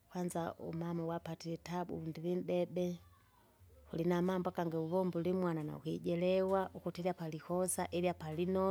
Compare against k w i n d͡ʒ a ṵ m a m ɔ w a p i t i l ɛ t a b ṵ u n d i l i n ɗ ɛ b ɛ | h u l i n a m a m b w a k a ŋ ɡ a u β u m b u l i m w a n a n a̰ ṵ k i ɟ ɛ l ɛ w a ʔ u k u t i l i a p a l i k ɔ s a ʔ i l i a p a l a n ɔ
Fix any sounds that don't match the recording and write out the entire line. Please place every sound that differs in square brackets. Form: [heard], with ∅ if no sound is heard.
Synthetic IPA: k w [a] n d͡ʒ a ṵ m a m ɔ w a p [a] t i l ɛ t a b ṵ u n d i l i n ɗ ɛ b ɛ | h u l i n a m a m b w a k a ŋ ɡ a u β [ɔ] m b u l i m w a n a n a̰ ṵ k i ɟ ɛ l ɛ w a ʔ u k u t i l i a p a l i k ɔ s a ʔ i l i a p a l [i] n ɔ